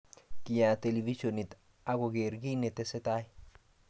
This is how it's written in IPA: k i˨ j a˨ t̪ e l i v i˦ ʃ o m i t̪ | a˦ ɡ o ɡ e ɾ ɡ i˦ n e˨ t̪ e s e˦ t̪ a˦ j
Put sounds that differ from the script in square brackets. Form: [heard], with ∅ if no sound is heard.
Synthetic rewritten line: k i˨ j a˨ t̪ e l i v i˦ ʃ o [n] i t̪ | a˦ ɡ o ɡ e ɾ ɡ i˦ n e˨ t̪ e s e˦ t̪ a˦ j